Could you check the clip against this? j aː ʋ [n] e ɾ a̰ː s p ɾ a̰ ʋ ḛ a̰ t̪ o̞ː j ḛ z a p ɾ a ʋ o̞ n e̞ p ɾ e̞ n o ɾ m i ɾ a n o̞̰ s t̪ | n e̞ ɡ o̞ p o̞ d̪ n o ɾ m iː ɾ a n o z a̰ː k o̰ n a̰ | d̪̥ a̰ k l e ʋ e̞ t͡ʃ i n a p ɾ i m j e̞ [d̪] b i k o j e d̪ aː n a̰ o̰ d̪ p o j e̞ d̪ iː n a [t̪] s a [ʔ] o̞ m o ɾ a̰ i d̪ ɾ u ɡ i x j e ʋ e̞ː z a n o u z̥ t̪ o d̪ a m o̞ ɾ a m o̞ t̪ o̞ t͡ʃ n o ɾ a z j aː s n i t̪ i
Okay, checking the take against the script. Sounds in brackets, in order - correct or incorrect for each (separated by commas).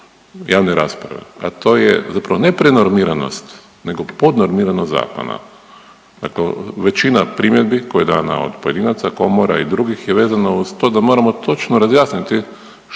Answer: correct, correct, correct, incorrect